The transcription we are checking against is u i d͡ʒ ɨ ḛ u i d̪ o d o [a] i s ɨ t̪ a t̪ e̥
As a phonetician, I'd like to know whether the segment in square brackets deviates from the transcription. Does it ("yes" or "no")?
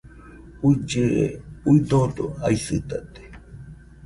no